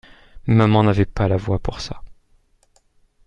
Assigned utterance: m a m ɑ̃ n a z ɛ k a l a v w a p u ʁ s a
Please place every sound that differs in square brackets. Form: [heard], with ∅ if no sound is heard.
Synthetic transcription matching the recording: m a m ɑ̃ n a [v] ɛ [p] a l a v w a p u ʁ s a